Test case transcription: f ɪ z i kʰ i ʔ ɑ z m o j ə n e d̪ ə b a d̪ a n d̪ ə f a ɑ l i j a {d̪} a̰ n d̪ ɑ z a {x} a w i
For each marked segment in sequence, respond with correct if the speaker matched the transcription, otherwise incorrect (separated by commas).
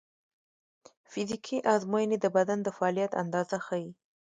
incorrect, correct